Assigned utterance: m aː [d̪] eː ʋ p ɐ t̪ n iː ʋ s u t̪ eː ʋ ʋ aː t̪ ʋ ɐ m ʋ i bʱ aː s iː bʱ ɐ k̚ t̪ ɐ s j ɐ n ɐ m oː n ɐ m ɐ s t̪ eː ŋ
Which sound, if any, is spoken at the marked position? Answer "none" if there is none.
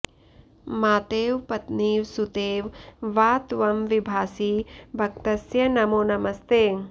t̪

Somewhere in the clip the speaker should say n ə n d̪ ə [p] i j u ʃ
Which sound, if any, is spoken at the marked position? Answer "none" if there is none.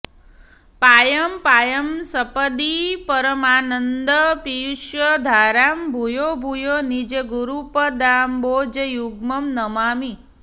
p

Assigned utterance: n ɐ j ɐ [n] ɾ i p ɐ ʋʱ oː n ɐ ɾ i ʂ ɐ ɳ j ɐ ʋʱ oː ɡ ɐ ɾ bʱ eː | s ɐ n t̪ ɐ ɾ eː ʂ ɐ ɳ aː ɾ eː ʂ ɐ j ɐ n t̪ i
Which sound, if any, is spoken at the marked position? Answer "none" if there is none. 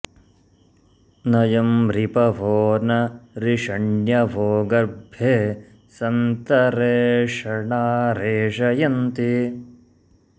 m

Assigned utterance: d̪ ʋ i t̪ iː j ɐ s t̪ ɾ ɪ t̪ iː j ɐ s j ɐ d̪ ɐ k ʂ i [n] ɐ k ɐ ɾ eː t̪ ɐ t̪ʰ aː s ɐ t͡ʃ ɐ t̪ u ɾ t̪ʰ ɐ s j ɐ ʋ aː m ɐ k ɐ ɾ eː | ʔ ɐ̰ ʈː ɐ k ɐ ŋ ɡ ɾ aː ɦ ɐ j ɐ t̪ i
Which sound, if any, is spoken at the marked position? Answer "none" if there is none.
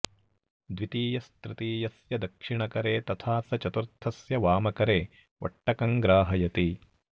ɳ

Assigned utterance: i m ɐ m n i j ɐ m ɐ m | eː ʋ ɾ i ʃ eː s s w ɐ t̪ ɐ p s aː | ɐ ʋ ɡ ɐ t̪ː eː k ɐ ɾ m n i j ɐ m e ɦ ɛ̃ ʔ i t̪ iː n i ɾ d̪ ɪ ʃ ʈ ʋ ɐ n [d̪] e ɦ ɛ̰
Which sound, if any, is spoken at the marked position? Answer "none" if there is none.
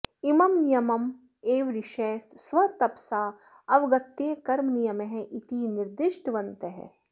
t̪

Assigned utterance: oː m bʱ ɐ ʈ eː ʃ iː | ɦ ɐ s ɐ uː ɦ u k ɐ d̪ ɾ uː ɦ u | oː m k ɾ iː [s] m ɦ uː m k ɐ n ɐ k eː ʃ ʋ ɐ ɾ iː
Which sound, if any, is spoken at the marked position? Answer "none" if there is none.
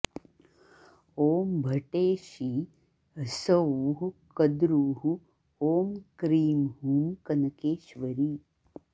none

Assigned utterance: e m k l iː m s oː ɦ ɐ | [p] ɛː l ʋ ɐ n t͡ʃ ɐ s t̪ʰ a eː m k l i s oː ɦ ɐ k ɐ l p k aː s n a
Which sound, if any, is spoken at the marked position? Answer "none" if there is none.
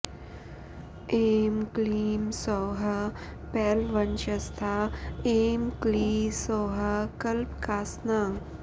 p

